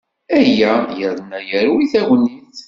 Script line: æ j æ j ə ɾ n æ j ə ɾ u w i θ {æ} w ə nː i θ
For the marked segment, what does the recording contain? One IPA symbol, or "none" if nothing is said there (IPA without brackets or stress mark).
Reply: æ